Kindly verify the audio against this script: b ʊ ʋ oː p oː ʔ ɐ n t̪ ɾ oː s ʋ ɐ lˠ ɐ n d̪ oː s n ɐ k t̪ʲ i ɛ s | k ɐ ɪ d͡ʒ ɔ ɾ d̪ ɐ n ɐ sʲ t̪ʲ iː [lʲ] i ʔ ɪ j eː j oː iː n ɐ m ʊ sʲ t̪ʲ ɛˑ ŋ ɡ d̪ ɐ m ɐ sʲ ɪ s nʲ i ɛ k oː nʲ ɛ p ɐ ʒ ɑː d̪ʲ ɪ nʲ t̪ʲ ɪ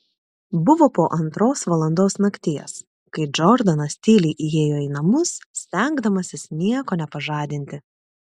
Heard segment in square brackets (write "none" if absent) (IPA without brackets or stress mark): lʲ